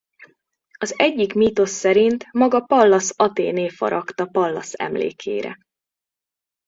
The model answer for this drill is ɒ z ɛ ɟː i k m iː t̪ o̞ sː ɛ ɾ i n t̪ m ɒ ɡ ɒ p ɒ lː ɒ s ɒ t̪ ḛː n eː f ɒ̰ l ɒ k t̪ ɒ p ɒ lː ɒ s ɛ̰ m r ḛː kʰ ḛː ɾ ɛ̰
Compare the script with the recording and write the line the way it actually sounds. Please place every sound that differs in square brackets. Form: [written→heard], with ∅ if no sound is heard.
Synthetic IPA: ɒ z ɛ ɟː i k m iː t̪ o̞ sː ɛ ɾ i n t̪ m ɒ ɡ ɒ p ɒ lː ɒ s ɒ t̪ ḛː n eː f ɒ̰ [l→ɾ] ɒ k t̪ ɒ p ɒ lː ɒ s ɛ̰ m [r→l] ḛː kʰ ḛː ɾ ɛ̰